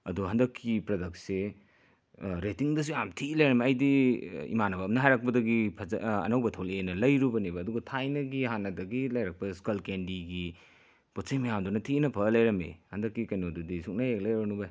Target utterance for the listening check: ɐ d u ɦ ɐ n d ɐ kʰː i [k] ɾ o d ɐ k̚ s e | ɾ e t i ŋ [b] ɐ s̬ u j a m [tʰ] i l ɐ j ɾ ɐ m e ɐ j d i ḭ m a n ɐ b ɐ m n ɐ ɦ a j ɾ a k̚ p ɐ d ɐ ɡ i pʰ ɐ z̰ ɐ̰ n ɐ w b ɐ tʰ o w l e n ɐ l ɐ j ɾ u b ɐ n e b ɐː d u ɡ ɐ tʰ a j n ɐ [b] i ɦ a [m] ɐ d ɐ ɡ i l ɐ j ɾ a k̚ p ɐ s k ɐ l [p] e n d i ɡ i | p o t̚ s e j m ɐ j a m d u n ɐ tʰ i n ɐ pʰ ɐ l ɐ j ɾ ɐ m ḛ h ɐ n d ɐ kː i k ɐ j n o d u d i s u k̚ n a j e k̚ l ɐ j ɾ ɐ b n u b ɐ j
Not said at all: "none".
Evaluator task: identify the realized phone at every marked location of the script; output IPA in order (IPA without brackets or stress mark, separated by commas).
p, d, tʰ, ɡ, n, k